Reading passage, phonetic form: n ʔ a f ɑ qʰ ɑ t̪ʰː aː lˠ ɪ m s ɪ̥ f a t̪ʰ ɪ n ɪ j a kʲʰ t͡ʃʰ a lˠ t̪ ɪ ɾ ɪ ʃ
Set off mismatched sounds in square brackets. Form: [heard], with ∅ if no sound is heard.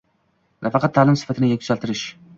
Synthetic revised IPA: n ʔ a f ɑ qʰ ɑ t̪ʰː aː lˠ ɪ m s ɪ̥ f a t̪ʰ ɪ n ɪ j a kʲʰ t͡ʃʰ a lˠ t̪ ɪ ɾ ɪ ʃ